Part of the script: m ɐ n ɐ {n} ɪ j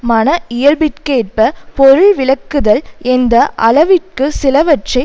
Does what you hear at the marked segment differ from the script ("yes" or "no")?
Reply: yes